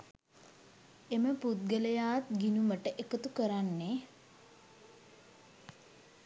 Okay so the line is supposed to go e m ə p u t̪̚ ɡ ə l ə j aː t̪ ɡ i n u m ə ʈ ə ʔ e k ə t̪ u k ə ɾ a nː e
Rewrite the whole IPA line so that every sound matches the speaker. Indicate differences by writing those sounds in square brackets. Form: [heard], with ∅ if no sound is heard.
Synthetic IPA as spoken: e m ə p u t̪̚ ɡ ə l ə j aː t̪ ɡ i n u m ə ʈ ə ʔ e k ə t̪ u k ə ɾ a nː e